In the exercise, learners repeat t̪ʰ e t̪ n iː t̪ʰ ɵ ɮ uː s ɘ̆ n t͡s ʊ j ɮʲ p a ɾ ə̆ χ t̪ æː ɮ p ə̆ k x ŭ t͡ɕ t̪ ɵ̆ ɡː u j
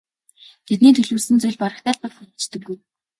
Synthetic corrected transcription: t̪ʰ e t̪ n iː t̪ʰ ɵ ɮ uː s ɘ̆ n t͡s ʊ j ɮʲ p a ɾ ə̆ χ t̪ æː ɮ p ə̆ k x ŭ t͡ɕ t̪ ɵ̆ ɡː u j